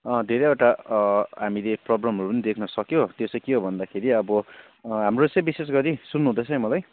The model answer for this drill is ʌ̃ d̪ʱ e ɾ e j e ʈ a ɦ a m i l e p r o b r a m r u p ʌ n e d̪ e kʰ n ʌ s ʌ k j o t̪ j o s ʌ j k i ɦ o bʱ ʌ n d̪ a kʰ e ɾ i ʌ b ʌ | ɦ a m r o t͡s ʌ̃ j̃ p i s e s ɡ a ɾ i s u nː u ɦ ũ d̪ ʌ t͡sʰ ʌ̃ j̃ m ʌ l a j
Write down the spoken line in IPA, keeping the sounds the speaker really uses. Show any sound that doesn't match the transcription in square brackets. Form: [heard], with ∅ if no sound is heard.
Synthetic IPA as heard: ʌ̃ d̪ʱ e ɾ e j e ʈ a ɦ a m i l e p r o b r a m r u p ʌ n [i] d̪ e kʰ n ʌ s ʌ k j o t̪ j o s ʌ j k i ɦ o bʱ ʌ n d̪ a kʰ e ɾ i ʌ b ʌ | ɦ a m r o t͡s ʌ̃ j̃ [b] i s e s ɡ [ʌ] ɾ i s u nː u ɦ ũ d̪ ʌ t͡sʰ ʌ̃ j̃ m ʌ l a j